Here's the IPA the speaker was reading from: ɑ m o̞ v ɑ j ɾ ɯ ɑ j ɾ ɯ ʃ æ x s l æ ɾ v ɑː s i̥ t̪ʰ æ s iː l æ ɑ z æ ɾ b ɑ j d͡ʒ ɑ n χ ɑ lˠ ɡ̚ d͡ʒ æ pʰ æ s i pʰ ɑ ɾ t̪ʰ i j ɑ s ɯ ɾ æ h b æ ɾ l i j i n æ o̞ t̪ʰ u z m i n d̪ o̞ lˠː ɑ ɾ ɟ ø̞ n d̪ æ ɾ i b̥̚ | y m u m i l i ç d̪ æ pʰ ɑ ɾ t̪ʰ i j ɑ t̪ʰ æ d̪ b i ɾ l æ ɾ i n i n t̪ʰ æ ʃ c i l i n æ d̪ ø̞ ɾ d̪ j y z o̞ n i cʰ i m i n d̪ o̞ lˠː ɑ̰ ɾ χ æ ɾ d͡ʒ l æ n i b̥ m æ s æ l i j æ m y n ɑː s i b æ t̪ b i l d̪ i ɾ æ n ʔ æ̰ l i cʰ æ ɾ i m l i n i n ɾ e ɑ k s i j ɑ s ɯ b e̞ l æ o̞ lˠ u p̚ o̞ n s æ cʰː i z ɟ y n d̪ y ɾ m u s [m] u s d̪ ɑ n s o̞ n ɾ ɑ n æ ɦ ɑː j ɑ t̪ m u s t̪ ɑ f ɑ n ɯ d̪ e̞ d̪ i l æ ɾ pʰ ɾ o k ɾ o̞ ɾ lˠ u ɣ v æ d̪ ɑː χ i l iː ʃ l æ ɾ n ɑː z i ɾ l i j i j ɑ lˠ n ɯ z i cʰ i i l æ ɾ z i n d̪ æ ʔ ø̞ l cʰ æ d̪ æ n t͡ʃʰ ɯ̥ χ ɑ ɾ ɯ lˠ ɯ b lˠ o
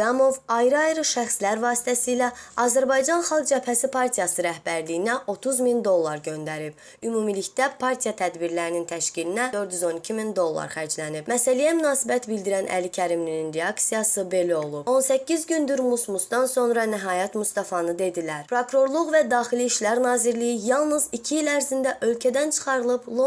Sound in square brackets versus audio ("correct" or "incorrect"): correct